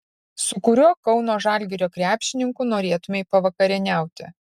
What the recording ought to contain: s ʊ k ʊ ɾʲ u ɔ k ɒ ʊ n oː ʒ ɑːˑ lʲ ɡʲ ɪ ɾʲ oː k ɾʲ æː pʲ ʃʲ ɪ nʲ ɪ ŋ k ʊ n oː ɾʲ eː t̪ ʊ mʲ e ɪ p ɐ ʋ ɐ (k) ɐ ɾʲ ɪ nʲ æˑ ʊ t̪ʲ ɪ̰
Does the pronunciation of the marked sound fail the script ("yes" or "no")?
no